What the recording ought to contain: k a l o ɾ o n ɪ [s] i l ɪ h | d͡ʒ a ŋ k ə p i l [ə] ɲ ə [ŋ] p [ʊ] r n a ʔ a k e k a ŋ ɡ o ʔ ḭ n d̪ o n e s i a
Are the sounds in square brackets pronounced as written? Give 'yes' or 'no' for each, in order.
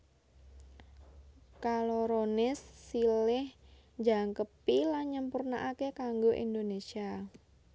no, no, no, no

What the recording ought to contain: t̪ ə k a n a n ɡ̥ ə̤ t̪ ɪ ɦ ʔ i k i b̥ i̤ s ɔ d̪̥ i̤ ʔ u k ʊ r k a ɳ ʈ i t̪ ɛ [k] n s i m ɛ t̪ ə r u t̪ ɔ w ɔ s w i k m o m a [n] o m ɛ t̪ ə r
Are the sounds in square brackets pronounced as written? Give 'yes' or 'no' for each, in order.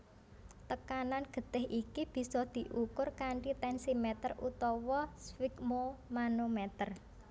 no, yes

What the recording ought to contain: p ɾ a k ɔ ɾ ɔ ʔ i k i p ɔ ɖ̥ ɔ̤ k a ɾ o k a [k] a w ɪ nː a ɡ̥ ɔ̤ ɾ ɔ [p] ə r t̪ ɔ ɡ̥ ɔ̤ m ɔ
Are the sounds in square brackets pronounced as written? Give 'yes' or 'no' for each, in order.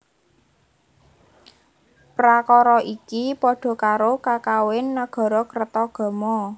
yes, no

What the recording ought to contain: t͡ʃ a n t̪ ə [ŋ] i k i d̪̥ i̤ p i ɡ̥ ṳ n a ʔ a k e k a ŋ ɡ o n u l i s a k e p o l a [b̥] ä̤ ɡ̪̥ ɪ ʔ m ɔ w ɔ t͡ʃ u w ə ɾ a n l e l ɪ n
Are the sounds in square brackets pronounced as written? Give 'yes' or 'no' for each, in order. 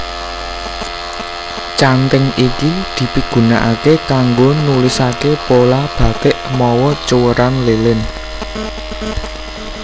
yes, yes

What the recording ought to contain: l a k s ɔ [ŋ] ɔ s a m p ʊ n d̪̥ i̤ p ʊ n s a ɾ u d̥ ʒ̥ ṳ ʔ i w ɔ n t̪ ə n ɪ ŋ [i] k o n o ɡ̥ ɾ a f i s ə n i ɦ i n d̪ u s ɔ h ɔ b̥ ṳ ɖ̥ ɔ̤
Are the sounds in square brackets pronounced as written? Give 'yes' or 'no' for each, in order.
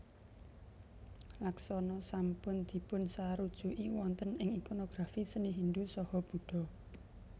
no, yes

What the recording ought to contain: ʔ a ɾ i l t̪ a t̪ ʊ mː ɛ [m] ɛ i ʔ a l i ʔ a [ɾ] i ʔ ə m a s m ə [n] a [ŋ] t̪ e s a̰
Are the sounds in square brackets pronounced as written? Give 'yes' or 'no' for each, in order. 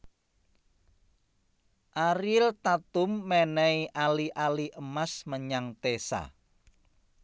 no, no, no, yes

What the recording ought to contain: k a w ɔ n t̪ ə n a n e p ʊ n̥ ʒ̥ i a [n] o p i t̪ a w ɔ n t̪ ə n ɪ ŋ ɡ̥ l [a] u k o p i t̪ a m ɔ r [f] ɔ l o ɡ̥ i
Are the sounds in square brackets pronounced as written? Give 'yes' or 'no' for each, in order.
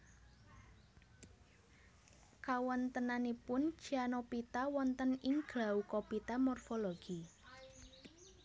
yes, yes, yes

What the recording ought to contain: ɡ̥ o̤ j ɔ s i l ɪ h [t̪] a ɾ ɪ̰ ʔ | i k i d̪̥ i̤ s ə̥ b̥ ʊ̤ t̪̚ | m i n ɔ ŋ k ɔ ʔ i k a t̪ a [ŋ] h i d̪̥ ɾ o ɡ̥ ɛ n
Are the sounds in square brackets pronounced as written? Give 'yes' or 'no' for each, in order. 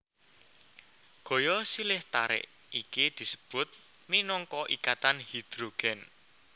yes, no

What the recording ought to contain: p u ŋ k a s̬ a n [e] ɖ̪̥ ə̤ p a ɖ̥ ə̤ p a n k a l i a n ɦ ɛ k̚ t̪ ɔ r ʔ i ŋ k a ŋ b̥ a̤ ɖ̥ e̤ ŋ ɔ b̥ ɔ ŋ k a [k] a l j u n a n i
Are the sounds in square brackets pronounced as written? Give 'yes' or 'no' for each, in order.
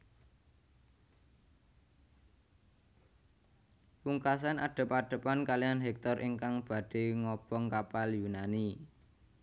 no, no

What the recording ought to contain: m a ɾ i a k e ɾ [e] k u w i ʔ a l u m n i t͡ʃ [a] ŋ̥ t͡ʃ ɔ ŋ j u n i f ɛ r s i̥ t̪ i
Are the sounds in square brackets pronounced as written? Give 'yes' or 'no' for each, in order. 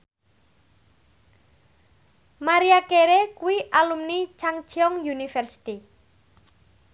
yes, yes

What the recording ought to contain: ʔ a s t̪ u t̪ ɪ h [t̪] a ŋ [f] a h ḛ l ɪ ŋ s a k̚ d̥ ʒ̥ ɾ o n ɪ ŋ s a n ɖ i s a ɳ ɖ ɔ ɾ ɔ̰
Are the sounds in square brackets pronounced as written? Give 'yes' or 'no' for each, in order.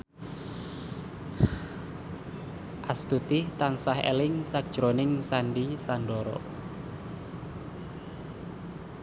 yes, no

